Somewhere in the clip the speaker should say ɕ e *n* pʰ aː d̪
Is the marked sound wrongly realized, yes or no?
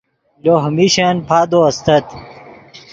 no